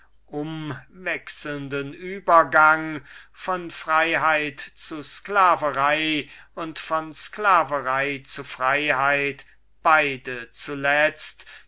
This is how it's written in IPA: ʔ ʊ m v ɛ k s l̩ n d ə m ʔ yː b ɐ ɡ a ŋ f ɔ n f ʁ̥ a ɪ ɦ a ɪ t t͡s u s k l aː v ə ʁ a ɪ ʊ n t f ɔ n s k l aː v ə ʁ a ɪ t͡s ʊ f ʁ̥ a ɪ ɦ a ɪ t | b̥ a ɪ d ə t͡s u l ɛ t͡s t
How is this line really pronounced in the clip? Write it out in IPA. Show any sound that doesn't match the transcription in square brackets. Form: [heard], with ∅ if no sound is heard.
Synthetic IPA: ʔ ʊ m v ɛ k s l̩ n d ə [n] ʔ yː b ɐ ɡ a ŋ f ɔ n f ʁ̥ a ɪ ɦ a ɪ t t͡s u s k l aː v ə ʁ a ɪ ʊ n t f ɔ n s k l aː v ə ʁ a ɪ t͡s [u] f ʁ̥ a ɪ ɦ a ɪ t | b̥ a ɪ d ə t͡s u l ɛ t͡s t